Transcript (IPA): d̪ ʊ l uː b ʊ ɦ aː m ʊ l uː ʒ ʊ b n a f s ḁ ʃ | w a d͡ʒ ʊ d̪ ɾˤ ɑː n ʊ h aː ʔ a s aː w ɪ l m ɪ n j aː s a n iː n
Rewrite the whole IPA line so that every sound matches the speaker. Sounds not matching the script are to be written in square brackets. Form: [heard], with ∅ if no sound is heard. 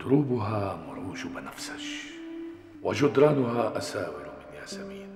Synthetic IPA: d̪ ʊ [ɾ] uː b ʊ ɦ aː m ʊ [ɾ] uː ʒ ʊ b n a f s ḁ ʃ | w a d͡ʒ ʊ d̪ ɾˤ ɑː n ʊ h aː ʔ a s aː w ɪ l m ɪ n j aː s a [m] iː n